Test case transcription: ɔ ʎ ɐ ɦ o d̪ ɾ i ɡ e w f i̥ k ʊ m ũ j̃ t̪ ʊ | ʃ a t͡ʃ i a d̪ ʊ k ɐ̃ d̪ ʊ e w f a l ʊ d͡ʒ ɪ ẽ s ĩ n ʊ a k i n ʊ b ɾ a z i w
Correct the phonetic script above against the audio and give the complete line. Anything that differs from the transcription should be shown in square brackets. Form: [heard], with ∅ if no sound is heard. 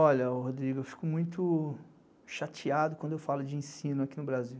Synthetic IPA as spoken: ɔ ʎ ɐ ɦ o d̪ ɾ i ɡ e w f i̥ k ʊ m ũ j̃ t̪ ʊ | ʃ a t͡ʃ i a d̪ ʊ k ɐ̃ d̪ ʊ e w f a l ʊ d͡ʒ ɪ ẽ s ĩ n ʊ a k i n ʊ b ɾ a z i w